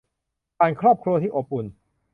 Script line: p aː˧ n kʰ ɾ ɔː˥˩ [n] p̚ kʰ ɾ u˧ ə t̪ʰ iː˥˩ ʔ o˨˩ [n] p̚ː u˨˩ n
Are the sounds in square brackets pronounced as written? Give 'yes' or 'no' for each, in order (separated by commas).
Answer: no, no